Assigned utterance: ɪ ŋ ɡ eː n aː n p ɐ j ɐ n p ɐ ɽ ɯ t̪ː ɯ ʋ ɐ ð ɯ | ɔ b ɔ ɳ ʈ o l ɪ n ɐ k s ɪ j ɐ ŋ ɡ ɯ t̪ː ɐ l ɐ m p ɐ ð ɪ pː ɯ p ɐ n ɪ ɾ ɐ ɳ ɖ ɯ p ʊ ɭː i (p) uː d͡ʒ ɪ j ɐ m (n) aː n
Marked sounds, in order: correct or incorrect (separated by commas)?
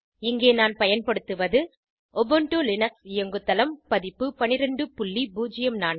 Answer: incorrect, correct